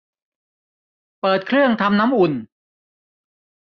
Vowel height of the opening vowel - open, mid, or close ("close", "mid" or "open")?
mid